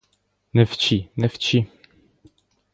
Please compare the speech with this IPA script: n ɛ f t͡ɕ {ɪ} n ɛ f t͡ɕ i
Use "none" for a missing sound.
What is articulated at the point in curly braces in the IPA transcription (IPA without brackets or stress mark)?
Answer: i